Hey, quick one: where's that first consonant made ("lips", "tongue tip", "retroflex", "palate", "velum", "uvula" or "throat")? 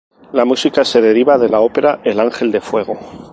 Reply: tongue tip